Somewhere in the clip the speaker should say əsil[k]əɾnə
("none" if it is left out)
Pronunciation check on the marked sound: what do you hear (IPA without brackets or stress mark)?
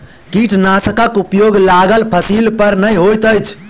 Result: p